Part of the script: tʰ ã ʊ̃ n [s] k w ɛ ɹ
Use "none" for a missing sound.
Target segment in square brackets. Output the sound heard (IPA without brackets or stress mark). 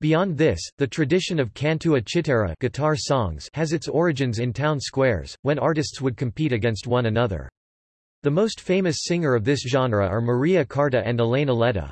s